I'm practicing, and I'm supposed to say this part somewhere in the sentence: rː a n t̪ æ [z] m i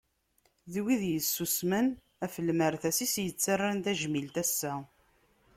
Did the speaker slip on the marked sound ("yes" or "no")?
yes